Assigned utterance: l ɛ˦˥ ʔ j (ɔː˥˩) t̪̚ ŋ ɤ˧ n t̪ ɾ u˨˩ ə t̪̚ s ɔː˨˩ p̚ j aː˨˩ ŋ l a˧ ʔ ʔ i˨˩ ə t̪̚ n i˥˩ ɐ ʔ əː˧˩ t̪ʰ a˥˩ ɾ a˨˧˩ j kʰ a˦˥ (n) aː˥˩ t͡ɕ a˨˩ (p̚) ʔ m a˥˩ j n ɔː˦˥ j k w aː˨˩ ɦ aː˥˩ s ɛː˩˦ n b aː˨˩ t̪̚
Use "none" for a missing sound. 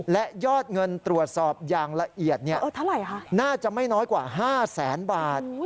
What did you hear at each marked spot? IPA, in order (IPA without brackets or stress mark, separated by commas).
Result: ɔː˥˩, n, none